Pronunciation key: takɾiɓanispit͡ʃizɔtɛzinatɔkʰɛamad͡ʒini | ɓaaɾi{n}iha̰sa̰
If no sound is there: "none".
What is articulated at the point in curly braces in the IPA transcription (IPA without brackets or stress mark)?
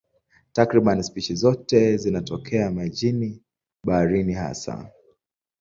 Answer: n